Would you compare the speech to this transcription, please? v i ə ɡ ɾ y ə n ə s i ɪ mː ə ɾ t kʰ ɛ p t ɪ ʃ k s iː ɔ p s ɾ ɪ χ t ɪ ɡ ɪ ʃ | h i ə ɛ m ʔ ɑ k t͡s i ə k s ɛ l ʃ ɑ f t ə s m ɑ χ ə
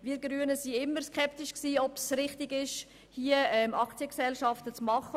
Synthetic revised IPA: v i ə ɡ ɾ y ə n ə s i ɪ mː ə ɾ s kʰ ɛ p t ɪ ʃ k s iː ɔ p s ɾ ɪ χ t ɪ ɡ ɪ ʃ | h i ə ɛ m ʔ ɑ k t͡s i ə k s ɛ l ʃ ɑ f t ə t͡s m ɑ χ ə